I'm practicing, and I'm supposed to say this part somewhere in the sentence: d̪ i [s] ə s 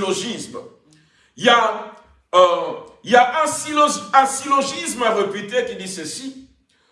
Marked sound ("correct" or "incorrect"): correct